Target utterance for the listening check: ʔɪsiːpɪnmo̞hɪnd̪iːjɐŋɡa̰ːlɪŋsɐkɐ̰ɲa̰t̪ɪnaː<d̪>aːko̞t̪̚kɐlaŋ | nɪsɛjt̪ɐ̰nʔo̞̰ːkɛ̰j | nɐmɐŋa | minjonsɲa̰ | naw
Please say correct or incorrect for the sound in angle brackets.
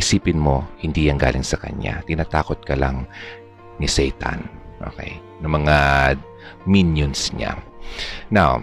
incorrect